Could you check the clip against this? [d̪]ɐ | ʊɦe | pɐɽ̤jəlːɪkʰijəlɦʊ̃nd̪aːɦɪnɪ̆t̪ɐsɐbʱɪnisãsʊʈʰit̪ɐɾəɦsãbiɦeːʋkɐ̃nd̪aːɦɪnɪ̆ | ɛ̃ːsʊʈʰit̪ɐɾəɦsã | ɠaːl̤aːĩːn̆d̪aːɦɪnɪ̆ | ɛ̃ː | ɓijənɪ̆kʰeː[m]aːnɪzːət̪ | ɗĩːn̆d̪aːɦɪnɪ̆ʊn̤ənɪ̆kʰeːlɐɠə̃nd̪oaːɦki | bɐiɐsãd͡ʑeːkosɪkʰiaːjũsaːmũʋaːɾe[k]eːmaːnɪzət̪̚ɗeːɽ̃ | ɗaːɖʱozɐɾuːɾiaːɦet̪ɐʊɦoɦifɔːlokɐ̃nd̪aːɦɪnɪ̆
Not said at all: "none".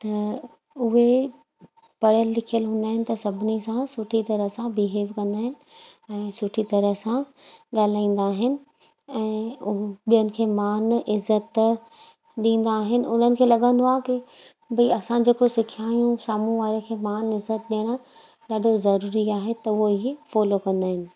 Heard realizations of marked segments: t̪, m, kʰ

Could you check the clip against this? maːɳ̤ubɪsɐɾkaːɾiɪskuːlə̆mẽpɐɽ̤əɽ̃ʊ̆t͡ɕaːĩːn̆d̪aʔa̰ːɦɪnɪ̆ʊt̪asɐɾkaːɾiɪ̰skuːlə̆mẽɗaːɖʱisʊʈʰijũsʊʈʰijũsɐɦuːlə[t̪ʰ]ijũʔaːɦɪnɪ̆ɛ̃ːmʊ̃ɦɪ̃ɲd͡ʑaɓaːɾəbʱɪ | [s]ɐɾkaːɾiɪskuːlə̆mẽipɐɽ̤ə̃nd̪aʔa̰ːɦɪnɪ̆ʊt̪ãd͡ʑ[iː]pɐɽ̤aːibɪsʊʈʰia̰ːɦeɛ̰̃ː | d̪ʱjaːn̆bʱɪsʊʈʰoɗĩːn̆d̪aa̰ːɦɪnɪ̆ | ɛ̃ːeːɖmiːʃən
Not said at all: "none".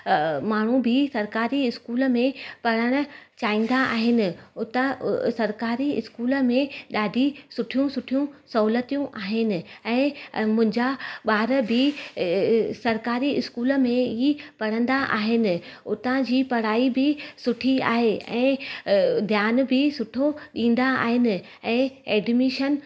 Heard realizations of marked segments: t̪, s, iː

